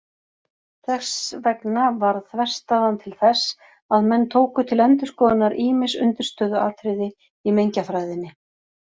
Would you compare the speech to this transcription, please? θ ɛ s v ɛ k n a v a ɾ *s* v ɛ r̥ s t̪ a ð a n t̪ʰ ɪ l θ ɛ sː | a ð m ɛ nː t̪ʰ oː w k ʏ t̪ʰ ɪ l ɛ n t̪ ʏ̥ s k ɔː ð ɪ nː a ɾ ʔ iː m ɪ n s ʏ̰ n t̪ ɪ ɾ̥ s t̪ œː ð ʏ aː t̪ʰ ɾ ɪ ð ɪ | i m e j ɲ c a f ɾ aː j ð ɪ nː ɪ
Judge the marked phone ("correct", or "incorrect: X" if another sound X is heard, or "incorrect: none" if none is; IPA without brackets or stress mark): incorrect: θ